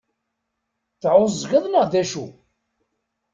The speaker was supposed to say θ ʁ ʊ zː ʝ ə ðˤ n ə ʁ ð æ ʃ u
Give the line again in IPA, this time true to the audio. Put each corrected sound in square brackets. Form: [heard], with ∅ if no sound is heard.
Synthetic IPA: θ [ʕ] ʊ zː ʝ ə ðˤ n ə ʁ ð æ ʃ u